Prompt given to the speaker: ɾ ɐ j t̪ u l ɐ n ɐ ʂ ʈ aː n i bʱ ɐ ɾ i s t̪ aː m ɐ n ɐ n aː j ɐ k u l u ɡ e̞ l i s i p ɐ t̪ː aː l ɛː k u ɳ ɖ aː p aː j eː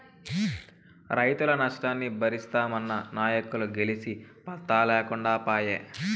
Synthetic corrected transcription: ɾ ɐ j t̪ u l ɐ n ɐ ʂ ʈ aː nː i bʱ ɐ ɾ i s t̪ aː m ɐ nː ɐ n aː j ɐ k u l u ɡ e̞ l i s i p ɐ t̪ː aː l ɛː k u ɳ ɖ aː p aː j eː